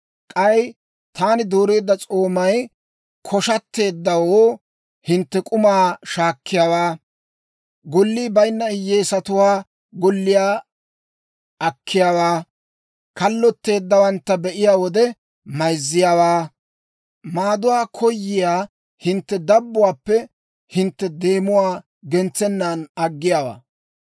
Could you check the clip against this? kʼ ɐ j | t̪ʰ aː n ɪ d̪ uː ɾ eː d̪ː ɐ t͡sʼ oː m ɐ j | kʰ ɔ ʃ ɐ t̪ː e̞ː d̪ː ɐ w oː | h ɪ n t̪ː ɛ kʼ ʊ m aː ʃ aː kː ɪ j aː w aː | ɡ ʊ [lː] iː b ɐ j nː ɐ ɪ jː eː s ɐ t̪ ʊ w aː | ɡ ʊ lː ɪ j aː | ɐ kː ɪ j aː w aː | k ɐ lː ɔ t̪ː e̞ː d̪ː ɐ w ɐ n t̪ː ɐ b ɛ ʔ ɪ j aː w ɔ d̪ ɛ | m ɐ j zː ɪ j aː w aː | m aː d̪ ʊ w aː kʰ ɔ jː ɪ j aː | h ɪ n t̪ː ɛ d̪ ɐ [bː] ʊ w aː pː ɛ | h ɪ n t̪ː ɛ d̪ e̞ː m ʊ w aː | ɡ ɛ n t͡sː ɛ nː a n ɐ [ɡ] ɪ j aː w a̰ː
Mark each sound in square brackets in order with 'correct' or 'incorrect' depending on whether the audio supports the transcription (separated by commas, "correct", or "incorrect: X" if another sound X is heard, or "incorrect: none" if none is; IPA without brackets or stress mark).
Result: correct, correct, incorrect: ɡː